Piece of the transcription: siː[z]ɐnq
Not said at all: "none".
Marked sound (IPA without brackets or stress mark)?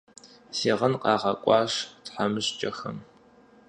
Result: ʁ